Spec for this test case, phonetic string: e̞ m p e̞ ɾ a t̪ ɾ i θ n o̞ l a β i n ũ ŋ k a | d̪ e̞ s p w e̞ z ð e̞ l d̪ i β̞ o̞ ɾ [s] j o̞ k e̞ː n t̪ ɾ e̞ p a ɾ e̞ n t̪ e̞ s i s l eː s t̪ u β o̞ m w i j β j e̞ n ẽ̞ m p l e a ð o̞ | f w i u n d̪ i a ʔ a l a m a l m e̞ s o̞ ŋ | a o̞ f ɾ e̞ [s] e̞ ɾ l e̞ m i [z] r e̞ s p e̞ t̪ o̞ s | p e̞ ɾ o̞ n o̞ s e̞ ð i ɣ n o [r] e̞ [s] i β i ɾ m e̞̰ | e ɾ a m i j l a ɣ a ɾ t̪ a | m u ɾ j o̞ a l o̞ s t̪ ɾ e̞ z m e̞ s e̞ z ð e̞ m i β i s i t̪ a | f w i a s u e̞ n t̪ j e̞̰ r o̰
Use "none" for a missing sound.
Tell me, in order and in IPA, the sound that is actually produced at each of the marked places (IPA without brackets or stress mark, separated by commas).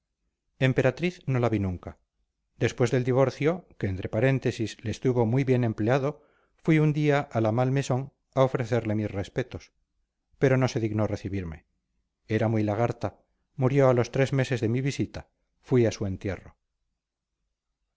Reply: θ, θ, s, r, θ